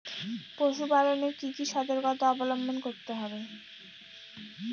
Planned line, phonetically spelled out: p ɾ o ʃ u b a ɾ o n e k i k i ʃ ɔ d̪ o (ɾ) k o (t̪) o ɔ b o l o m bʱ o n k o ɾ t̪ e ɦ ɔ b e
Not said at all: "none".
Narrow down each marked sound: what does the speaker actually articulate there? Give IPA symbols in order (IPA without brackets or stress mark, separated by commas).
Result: ɾ, t̪